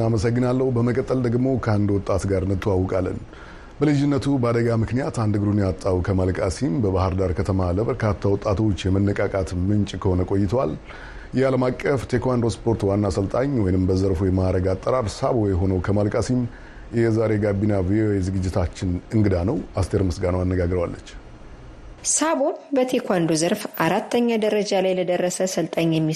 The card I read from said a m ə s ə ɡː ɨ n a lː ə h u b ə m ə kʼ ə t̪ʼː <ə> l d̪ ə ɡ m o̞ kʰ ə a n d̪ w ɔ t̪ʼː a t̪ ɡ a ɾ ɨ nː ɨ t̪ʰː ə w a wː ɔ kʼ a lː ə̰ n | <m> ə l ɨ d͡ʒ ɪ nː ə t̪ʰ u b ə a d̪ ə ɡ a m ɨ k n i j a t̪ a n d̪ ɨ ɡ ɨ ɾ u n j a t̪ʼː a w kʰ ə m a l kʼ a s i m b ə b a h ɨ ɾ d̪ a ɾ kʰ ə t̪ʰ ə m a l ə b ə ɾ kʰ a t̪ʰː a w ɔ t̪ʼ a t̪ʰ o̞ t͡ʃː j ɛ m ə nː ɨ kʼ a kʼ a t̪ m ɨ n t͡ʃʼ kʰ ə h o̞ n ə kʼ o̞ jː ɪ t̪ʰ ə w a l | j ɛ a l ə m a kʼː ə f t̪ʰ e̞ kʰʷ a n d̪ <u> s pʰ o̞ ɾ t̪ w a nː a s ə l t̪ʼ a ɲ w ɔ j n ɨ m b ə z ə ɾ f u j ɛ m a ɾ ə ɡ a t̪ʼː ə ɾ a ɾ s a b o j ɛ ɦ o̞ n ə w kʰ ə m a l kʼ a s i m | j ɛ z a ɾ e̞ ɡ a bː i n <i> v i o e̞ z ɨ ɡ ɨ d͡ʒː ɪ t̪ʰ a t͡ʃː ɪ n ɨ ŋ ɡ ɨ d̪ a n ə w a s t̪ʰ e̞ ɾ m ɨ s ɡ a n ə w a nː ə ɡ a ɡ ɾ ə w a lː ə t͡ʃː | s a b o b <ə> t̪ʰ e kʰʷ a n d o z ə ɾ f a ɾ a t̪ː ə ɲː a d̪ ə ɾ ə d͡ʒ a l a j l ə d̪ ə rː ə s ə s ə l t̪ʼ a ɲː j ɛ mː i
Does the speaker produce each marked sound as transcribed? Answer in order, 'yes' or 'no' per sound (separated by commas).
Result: yes, no, no, no, yes